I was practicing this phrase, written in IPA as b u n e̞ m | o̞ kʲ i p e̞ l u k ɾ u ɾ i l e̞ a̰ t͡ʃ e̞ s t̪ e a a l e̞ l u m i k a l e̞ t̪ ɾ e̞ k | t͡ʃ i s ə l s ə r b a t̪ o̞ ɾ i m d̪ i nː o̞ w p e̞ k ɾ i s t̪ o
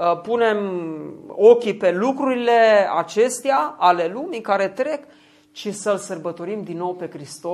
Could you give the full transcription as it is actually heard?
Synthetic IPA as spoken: p u n e̞ m | o̞ kʲ i p e̞ l u k ɾ u ɾ i l e̞ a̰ t͡ʃ e̞ s t̪ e a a l e̞ l u m i k a ɾ e̞ t̪ ɾ e̞ k | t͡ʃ i s ə l s ə r b ə t̪ o̞ ɾ i m d̪ i nː o̞ w p e̞ k ɾ i s t̪ o